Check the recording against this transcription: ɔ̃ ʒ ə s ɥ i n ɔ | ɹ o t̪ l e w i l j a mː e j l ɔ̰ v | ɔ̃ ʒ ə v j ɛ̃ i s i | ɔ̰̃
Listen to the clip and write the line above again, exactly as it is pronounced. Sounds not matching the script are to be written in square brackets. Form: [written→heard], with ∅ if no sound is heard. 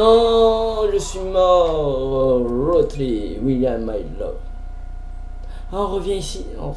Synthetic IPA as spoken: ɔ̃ ʒ ə s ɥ i [n→m] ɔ | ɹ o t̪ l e w i l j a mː [e→a] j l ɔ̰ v | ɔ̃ [ʒ→ʁ] ə v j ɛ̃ i s i | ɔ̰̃